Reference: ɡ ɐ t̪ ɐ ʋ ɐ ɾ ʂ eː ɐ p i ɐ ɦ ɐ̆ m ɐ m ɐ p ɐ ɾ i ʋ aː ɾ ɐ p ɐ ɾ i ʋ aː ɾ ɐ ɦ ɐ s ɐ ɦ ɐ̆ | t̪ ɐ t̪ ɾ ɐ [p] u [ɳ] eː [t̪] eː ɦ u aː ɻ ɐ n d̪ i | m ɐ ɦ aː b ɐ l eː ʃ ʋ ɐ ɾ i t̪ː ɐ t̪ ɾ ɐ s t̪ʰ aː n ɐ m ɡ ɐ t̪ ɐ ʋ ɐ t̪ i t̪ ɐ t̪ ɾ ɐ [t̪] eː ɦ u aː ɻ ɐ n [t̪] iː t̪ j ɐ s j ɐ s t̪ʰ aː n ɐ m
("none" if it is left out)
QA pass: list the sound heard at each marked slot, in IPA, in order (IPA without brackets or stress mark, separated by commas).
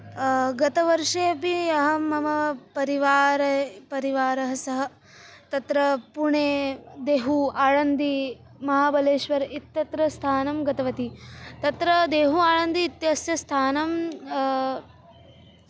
p, ɳ, d̪, d̪, d̪